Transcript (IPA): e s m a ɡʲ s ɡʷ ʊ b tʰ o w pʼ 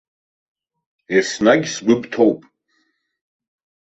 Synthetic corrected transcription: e s n a ɡʲ s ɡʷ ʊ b tʰ o w pʼ